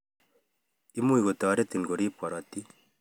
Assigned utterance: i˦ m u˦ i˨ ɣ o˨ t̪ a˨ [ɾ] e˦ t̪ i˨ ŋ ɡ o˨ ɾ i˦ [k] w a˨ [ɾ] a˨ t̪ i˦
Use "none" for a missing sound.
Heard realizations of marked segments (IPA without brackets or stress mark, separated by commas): ɾ, p, ɾ